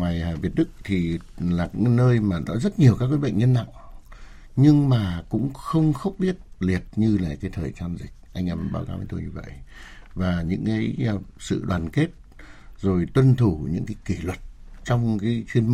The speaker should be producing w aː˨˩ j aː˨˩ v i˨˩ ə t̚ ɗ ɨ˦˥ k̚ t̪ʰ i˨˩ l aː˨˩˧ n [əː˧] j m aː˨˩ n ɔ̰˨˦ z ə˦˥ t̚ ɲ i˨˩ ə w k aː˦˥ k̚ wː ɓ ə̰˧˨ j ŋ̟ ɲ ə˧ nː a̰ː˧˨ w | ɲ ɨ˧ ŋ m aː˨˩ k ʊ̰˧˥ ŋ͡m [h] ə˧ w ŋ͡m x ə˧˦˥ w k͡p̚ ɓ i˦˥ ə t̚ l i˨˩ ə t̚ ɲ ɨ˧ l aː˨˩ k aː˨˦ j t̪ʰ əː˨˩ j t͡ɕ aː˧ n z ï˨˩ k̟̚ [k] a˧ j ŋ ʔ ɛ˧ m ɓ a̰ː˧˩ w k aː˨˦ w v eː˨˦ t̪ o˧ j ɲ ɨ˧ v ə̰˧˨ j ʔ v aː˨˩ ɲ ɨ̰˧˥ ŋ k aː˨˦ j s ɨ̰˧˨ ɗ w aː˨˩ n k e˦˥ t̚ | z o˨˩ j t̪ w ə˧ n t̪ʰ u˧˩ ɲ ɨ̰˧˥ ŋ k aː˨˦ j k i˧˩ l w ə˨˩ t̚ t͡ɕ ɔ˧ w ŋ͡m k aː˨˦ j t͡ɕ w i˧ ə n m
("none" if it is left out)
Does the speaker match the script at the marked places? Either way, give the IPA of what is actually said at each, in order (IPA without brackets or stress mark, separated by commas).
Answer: əː˧, x, ʔ